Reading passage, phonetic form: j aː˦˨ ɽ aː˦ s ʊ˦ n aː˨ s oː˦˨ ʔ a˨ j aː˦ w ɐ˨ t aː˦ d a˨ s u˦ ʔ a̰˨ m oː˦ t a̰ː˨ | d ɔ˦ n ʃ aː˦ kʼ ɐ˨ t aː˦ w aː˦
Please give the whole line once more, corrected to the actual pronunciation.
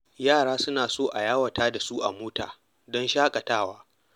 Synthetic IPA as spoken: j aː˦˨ ɽ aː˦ s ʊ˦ n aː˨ s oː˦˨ ʔ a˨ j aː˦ w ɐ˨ t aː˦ d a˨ s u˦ ʔ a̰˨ m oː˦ t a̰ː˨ | d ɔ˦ n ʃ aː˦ kʼ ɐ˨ t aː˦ w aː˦

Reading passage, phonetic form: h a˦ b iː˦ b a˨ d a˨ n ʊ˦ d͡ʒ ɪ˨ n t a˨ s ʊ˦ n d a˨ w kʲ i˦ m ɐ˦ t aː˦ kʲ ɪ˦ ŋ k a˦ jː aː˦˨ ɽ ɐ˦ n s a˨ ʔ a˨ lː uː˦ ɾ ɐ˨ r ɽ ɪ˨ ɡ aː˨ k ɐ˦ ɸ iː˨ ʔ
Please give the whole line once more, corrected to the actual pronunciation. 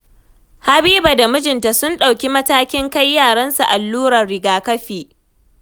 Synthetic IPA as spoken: h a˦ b iː˦ b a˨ d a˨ m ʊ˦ d͡ʒ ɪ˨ n t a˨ s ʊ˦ n ɗ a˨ w kʲ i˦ m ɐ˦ t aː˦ kʲ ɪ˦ ŋ k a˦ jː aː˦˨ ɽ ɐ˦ n s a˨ ʔ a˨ lː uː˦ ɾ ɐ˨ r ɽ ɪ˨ ɡ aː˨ k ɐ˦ ɸ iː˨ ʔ

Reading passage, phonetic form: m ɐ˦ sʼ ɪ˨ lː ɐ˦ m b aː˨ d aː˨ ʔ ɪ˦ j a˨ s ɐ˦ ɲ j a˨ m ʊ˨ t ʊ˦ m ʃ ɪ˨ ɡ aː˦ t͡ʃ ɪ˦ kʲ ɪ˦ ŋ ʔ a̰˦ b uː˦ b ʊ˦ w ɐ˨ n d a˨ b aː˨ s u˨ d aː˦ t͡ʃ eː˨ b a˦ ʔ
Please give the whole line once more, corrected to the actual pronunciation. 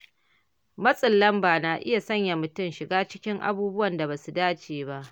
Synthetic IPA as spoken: m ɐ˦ sʼ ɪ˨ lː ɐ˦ m b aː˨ n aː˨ ʔ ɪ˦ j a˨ s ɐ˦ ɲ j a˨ m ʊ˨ t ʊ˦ m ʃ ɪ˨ ɡ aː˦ t͡ʃ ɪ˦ kʲ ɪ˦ ŋ ʔ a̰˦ b uː˦ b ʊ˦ w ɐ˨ n d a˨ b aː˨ s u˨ d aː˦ t͡ʃ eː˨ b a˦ ʔ

